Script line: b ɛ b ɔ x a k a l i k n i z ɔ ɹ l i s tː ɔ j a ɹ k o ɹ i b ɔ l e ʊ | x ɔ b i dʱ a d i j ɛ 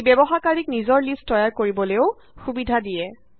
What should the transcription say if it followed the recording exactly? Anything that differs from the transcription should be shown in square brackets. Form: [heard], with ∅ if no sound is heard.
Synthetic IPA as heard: b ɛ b ɔ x a k a [ɹ] i k n i z ɔ ɹ l i s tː ɔ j a ɹ k o ɹ i b ɔ l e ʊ | x [u] b i dʱ a d i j ɛ